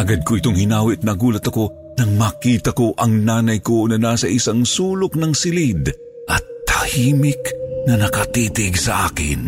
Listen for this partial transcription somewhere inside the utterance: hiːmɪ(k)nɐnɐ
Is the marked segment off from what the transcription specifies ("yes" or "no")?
no